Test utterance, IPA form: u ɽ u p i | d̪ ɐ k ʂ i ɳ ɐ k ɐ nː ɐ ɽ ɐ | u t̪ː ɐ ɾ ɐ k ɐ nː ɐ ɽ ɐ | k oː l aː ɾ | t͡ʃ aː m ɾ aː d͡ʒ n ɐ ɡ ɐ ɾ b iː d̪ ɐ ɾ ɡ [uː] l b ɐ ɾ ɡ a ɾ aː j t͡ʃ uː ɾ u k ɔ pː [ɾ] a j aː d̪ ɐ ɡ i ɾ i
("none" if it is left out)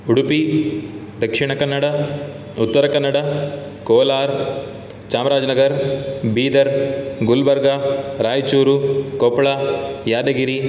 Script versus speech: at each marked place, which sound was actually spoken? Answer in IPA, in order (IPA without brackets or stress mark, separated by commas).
u, ɭ